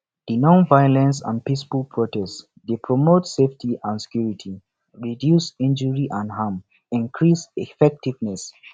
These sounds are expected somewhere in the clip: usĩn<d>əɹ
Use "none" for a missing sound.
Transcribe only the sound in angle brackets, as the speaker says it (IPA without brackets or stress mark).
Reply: d͡ʒ